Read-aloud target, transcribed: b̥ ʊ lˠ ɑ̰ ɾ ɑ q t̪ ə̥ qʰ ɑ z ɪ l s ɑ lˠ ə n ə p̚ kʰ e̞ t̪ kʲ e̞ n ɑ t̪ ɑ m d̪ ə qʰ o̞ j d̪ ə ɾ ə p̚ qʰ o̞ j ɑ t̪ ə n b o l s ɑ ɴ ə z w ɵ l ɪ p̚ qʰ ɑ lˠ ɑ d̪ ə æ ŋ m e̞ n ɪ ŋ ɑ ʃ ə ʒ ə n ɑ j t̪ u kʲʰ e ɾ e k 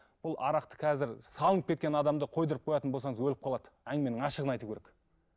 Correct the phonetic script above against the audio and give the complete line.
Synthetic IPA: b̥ ʊ lˠ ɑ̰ ɾ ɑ q t̪ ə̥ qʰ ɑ z ɪ ɾ s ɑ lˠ ə n ə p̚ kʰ e̞ t̪ kʲ e̞ n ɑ d̪ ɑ m d̪ ə qʰ o̞ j d̪ ə ɾ ə p̚ qʰ o̞ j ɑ t̪ ə n b o l s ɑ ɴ ə z w ɵ l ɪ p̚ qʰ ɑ lˠ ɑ d̪ ə æ ŋ m e̞ n ɪ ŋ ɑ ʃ ə ʁ ə n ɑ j t̪ u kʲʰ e ɾ e k